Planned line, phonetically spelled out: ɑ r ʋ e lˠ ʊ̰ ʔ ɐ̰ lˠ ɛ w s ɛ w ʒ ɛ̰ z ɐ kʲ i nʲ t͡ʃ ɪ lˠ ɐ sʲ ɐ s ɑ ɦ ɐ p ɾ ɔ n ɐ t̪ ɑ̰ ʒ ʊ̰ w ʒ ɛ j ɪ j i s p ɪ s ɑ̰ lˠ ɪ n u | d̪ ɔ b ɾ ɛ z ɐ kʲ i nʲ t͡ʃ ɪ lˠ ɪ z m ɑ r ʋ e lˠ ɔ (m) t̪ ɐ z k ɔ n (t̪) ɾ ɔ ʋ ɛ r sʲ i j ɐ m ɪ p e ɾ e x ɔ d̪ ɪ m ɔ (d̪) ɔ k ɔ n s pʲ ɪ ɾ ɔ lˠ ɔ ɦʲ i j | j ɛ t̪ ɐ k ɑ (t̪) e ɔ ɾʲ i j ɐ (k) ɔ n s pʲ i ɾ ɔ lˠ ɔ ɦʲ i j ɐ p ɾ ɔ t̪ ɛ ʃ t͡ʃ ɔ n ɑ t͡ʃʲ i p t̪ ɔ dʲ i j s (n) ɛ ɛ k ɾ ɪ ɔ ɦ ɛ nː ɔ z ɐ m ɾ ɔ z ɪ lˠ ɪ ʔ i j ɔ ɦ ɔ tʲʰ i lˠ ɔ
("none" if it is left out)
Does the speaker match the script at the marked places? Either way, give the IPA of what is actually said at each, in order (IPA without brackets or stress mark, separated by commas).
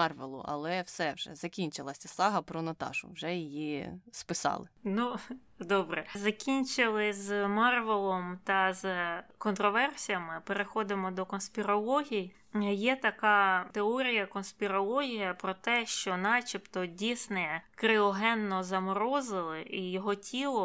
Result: m, t̪, d̪, t̪, k, n